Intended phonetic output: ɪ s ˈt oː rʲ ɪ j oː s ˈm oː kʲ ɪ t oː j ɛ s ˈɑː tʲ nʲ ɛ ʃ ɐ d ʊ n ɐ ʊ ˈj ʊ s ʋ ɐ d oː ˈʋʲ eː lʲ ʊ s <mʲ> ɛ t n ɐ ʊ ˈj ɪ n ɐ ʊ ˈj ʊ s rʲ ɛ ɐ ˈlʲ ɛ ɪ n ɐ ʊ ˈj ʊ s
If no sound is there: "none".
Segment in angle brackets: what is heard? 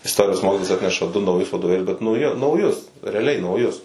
bʲ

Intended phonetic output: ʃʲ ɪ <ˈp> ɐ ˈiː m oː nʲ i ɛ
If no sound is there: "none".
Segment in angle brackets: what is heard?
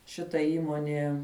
t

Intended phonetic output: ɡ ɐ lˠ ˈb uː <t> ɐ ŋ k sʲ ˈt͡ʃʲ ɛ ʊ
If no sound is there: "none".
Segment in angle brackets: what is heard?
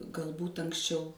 t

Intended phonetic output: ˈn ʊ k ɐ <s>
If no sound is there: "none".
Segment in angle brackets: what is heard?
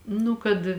t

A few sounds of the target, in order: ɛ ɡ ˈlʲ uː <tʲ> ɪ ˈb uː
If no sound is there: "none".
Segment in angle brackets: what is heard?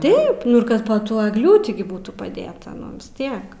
tʲ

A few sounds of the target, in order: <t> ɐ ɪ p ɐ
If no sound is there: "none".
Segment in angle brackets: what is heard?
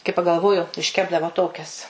k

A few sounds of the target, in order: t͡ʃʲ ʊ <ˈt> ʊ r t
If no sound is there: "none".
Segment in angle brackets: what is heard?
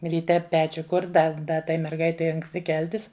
k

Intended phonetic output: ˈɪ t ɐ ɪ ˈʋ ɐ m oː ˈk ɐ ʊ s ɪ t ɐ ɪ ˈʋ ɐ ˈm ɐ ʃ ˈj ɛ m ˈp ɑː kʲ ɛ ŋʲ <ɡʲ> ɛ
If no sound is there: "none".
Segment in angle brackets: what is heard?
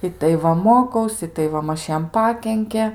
kʲ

